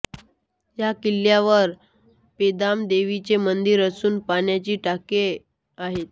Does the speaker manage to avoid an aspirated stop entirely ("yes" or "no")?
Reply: yes